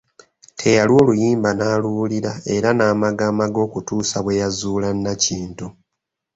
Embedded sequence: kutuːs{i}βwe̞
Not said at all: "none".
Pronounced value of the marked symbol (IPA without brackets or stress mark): a